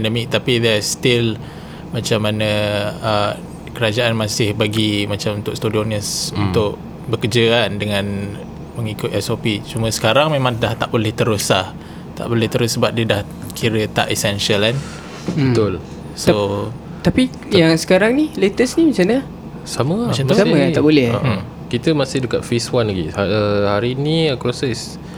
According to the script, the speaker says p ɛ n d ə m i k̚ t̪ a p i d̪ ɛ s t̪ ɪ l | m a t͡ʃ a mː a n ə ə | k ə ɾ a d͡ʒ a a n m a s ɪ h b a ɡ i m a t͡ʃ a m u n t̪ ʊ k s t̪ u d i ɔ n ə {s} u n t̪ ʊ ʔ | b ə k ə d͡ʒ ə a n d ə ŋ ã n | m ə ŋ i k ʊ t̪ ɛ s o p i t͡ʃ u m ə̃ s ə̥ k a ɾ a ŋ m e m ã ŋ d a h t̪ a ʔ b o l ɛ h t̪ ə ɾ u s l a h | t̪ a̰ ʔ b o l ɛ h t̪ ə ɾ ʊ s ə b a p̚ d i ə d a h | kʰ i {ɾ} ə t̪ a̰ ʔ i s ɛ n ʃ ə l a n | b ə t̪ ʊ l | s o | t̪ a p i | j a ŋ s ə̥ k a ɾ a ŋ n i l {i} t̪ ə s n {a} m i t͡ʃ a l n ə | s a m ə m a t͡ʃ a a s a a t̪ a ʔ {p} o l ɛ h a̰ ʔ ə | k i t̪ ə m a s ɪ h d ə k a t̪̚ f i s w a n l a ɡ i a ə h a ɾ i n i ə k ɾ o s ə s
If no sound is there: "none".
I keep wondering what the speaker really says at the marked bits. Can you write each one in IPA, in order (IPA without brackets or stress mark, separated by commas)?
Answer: s, ɾ, e, i, b